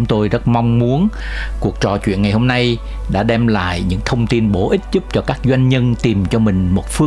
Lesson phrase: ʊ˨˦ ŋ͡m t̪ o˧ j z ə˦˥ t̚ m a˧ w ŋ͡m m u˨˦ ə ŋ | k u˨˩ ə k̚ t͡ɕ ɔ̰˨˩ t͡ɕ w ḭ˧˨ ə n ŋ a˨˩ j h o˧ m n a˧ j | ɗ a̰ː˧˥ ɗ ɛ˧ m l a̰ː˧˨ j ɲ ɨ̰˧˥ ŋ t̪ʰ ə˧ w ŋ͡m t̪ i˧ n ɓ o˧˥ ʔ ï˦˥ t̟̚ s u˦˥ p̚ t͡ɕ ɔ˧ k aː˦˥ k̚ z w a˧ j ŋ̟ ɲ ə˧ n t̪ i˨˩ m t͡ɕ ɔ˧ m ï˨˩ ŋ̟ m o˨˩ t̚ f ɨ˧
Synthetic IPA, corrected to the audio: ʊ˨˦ ŋ͡m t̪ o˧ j z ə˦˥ t̚ m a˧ w ŋ͡m m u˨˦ ə n | k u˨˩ ə k̚ t͡ɕ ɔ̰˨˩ t͡ɕ w ḭ˧˨ ə n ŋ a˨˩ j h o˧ m n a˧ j | ɗ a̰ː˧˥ ɗ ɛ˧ m l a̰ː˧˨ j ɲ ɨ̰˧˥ ŋ t̪ʰ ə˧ w ŋ͡m t̪ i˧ n ɓ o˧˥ ʔ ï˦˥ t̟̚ z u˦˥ p̚ t͡ɕ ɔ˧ k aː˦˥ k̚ z w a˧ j ŋ̟ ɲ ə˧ n t̪ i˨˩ m t͡ɕ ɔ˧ m ï˨˩ ŋ̟ m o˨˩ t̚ f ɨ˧